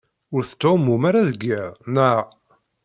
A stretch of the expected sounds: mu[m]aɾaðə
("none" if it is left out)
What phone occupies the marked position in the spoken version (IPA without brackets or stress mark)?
m